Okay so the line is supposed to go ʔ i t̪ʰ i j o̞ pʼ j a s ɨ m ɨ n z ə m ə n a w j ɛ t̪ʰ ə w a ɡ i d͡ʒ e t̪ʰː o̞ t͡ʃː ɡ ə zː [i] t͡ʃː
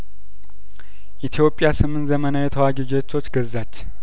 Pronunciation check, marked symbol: incorrect: a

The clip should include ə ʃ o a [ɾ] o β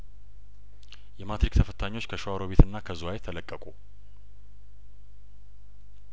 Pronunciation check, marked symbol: correct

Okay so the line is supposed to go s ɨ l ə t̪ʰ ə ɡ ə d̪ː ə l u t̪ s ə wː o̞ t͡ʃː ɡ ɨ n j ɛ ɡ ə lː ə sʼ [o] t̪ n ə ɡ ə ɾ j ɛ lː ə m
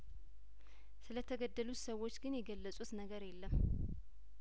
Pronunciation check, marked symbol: incorrect: u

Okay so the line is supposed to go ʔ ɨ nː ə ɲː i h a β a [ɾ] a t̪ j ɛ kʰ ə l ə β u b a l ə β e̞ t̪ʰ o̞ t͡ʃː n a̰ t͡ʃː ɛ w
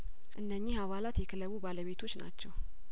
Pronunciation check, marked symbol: incorrect: l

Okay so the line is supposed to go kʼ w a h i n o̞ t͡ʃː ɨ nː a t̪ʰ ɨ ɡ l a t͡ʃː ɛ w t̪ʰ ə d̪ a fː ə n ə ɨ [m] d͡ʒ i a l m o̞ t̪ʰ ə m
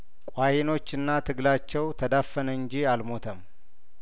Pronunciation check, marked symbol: incorrect: ɲ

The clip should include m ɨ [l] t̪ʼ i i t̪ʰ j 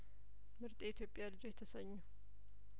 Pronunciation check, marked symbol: incorrect: ɾ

